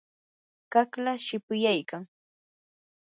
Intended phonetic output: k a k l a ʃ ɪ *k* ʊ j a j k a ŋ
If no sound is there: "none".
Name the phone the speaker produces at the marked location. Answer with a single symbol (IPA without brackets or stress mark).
p